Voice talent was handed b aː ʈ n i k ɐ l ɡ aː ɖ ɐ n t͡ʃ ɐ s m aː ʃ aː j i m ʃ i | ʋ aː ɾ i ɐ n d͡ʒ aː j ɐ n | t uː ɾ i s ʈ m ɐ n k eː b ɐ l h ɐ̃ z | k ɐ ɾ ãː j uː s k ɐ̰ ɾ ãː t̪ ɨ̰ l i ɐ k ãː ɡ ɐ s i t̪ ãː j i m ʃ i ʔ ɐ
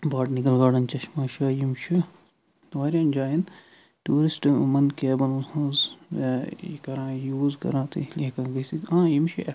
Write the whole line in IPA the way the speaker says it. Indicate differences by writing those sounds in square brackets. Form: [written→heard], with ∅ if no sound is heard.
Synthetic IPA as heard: b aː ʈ n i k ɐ l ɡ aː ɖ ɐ n t͡ʃ ɐ [s→ʃ] m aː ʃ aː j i m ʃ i | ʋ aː ɾ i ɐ n d͡ʒ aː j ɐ n | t uː ɾ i s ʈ m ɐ n k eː b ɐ l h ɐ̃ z | k ɐ ɾ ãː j uː [s→z] k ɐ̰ ɾ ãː t̪ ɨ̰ l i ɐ k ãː ɡ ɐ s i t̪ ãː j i m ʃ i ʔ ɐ